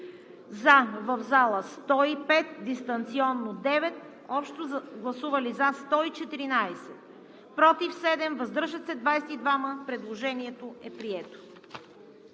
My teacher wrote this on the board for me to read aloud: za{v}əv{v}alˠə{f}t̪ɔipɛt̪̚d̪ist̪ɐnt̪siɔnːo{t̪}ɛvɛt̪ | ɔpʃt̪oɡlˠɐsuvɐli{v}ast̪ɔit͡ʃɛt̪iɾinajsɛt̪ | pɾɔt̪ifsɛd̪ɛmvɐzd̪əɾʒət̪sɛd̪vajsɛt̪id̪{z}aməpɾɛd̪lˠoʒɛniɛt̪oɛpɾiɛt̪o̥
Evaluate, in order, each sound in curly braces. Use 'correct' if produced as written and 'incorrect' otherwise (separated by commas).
correct, incorrect, incorrect, incorrect, incorrect, incorrect